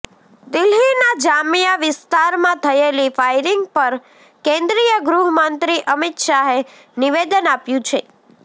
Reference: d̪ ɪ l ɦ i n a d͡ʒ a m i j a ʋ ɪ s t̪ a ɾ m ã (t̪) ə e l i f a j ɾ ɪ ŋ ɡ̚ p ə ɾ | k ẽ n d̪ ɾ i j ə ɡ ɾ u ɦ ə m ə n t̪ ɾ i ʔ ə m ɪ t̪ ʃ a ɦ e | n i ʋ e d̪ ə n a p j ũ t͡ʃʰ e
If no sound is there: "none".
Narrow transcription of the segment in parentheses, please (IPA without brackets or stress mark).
t̪ʰ